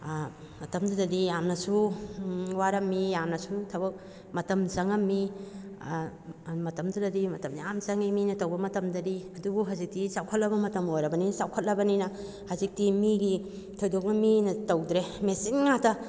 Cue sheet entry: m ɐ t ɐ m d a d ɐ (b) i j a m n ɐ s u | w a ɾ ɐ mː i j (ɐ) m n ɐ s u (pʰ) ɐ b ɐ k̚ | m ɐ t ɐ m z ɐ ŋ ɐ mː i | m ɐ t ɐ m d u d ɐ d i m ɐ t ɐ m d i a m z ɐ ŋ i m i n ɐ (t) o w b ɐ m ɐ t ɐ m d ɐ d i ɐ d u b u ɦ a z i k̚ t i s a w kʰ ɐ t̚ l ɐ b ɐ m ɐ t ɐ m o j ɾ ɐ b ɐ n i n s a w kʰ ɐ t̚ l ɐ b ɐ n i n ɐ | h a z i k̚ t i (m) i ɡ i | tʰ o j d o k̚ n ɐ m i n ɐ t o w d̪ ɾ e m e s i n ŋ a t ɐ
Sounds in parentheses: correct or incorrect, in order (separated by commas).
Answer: incorrect, incorrect, incorrect, correct, correct